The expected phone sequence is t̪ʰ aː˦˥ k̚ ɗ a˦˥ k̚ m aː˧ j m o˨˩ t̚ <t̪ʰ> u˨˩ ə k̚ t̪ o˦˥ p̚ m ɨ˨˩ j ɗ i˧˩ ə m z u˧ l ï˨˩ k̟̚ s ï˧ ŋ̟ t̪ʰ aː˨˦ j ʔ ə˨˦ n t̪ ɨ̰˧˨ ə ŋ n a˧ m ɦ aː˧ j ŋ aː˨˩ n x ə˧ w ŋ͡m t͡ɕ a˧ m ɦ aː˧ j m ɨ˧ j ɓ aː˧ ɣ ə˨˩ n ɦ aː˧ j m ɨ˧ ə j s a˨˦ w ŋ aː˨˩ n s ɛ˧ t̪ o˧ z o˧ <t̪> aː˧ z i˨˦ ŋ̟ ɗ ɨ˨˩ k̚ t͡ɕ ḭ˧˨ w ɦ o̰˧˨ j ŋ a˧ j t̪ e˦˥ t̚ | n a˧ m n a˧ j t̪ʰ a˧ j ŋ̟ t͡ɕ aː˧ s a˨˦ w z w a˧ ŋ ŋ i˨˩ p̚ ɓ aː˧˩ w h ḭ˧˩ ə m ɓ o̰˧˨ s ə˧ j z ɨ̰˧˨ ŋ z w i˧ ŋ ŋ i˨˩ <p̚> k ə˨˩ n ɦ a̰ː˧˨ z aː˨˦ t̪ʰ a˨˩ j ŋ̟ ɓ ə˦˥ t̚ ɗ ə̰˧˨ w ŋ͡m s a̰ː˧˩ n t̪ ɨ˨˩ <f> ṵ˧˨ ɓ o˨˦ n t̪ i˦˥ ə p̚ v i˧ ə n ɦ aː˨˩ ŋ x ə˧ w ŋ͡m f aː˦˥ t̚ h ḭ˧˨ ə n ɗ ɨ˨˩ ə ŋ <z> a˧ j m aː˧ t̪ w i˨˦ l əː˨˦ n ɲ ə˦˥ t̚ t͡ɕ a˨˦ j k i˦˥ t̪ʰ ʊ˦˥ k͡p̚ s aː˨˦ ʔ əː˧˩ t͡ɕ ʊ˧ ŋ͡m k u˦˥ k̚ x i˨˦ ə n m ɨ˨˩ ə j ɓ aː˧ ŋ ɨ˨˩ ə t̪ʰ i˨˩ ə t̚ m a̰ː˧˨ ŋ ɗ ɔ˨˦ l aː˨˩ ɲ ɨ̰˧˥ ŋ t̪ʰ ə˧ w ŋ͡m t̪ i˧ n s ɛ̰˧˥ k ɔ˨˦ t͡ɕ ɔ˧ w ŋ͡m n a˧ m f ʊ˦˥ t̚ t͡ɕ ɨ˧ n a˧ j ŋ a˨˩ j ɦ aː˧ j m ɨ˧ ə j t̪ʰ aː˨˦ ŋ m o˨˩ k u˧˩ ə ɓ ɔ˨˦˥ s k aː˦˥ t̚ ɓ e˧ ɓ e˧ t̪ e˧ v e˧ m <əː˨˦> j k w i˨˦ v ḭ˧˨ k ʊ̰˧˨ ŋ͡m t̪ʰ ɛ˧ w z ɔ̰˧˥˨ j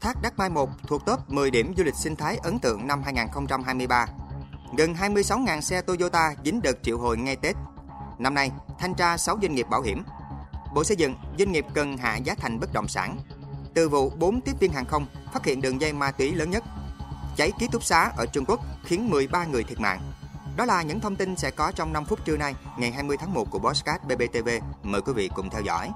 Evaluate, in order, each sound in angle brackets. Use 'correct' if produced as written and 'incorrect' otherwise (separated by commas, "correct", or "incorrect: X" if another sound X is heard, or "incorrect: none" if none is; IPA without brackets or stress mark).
correct, correct, correct, incorrect: v, correct, incorrect: əː˨˩